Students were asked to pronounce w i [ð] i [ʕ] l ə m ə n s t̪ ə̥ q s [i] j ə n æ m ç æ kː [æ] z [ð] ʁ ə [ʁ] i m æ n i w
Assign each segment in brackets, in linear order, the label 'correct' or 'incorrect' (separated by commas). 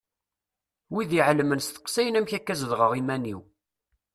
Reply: correct, correct, incorrect, correct, correct, correct